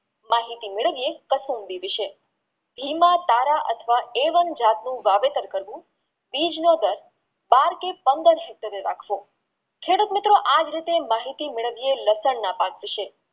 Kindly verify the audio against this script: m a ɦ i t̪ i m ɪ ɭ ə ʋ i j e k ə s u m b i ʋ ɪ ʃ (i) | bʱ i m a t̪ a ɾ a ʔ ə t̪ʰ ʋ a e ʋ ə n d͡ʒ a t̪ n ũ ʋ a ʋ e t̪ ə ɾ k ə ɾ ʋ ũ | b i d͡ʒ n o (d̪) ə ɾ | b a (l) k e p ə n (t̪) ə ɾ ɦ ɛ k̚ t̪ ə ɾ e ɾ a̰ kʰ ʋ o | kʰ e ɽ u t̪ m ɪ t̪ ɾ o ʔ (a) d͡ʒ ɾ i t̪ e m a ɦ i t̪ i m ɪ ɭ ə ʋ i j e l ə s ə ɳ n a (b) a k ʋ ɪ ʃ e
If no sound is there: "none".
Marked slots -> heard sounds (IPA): e, d̪, ɾ, d̪, a, p

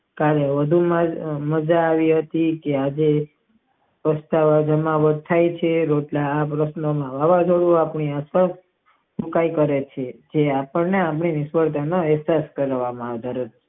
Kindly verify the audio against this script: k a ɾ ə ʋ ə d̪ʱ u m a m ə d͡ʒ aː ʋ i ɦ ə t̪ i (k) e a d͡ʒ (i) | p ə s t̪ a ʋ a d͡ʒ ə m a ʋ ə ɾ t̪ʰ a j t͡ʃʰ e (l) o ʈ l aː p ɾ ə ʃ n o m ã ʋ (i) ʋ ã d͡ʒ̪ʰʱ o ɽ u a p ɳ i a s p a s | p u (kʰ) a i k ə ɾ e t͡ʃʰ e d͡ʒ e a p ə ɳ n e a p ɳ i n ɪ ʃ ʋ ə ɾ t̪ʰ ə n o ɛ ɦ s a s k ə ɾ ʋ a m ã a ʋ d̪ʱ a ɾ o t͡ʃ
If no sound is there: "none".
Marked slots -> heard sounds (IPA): k, e, ɾ, a, k

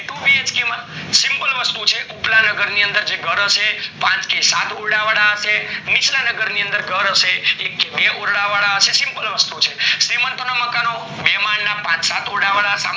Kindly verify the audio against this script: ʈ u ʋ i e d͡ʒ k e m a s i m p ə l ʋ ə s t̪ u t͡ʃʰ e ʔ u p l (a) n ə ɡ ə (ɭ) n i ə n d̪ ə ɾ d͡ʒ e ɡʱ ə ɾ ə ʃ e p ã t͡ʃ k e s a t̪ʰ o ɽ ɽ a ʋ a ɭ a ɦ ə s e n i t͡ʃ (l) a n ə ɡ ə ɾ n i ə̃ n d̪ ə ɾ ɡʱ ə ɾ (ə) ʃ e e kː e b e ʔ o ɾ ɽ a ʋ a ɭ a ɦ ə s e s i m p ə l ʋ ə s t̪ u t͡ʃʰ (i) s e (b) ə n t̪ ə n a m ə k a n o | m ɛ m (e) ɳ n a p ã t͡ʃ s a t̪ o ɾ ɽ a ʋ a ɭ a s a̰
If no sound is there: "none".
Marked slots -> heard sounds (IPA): a, ɾ, l, ə, e, m, a

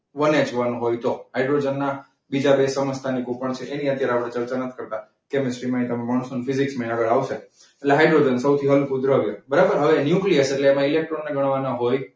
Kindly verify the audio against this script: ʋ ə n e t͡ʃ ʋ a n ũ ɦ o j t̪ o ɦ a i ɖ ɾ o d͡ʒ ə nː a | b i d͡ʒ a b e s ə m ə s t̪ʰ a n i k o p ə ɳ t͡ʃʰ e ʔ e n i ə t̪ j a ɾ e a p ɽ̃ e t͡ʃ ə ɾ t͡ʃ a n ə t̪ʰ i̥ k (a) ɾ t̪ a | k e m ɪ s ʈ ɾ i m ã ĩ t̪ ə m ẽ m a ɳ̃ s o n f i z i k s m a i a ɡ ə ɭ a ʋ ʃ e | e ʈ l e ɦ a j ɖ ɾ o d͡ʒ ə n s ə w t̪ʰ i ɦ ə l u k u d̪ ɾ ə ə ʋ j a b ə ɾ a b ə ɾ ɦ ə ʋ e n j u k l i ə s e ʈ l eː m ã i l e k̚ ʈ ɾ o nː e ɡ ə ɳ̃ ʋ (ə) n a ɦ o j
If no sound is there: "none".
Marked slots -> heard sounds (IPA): ə, a

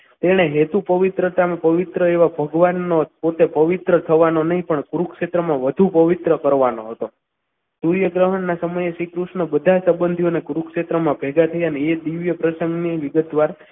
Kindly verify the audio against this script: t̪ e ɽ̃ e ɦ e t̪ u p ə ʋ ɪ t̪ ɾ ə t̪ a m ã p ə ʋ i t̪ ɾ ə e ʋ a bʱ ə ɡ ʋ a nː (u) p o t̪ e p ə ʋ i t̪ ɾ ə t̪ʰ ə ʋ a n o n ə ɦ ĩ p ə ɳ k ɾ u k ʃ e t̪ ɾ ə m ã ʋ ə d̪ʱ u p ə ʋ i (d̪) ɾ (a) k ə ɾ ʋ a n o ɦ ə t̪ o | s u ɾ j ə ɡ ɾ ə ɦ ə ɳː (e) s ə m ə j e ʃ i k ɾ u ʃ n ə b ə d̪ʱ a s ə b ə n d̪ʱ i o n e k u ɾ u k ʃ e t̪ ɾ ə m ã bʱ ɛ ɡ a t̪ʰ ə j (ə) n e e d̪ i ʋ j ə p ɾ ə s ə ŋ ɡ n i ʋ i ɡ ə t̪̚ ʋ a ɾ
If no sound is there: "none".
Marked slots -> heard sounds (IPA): o, t̪, ə, a, a

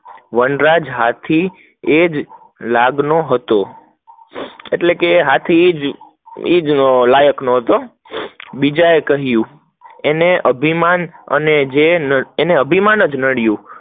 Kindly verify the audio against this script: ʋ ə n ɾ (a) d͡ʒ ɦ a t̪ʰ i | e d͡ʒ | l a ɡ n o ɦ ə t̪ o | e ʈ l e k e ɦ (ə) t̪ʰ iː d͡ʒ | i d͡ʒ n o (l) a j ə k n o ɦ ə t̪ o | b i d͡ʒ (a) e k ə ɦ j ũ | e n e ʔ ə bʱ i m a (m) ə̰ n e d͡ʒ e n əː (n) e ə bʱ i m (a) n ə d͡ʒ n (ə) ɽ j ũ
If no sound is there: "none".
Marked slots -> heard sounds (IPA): a, a, l, a, n, n, a, ə

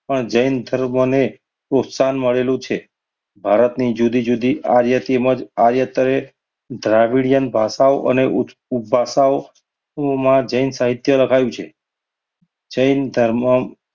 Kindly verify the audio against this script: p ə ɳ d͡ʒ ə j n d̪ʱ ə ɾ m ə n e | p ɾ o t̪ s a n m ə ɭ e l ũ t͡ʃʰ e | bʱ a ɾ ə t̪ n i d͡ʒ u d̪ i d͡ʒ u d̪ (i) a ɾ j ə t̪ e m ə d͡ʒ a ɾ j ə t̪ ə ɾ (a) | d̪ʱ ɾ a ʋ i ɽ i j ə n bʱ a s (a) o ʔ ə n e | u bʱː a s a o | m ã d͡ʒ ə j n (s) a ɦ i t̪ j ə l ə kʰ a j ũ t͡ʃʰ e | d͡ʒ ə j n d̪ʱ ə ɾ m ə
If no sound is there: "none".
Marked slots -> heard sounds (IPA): i, e, a, s

